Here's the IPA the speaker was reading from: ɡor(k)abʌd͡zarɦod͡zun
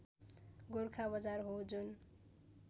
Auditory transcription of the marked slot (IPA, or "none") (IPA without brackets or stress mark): kʰ